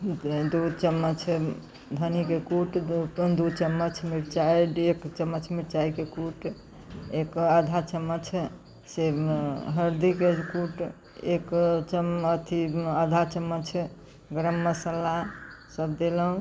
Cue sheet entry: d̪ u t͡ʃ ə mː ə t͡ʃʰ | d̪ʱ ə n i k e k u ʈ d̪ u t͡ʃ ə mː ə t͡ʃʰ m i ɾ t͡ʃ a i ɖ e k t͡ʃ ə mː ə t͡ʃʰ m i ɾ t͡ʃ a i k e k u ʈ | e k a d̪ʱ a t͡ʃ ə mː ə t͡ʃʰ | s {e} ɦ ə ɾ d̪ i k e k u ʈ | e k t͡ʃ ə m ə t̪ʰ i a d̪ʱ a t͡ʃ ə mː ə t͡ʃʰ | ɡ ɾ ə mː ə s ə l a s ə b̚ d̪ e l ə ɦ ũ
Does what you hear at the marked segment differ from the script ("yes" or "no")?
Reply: no